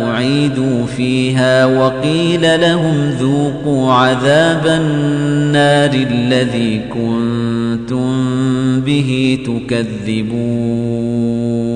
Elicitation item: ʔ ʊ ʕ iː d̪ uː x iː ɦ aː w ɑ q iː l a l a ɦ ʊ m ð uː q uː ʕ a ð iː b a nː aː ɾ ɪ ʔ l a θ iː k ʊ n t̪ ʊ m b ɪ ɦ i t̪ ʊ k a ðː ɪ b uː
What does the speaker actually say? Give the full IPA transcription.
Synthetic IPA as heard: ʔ ʊ ʕ iː d̪ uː f iː ɦ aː w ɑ q iː l a l a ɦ ʊ m ð uː q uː ʕ a ð aː b a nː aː ɾ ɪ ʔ lː a ð iː k ʊ n t̪ ʊ m b ɪ ɦ i t̪ ʊ k a ðː ɪ b uː